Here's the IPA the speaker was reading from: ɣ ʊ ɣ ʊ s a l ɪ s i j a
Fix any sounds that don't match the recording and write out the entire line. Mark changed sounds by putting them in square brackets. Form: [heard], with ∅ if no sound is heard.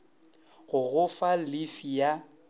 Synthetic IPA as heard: ɣ ʊ ɣ ʊ [f] a l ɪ [f] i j a